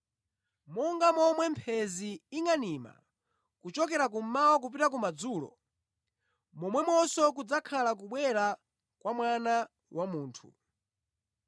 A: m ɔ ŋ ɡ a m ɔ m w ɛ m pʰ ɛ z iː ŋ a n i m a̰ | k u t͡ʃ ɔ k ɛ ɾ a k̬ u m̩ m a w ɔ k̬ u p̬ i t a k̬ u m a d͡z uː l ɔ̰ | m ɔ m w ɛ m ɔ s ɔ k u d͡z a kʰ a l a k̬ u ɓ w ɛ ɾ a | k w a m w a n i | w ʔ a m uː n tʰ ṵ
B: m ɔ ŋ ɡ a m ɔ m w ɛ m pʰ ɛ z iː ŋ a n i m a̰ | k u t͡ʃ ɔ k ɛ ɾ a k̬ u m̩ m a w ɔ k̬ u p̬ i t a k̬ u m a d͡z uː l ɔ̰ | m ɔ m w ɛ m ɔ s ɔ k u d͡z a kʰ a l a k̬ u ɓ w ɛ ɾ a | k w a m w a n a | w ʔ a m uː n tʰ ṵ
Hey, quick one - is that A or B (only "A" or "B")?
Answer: B